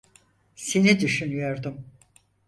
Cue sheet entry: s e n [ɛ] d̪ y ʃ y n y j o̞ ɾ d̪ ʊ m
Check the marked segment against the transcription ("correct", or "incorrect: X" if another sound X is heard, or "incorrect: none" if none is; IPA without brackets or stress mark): incorrect: i